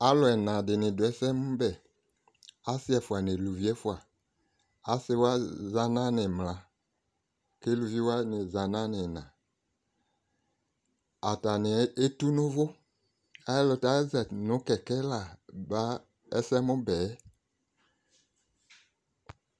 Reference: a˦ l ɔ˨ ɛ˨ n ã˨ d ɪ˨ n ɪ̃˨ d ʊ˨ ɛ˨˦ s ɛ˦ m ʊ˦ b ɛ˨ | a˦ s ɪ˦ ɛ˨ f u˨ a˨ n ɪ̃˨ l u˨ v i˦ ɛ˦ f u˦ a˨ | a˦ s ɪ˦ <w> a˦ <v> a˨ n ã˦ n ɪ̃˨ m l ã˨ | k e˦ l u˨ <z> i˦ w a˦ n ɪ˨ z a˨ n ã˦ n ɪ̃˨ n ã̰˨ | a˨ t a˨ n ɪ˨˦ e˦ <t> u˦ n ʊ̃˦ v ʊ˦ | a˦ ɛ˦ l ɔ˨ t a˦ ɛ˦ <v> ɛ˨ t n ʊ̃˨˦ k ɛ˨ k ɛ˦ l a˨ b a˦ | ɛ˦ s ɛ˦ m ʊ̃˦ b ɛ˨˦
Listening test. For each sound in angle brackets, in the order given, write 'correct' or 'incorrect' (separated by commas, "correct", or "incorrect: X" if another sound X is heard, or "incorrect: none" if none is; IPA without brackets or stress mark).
correct, incorrect: z, incorrect: v, correct, incorrect: z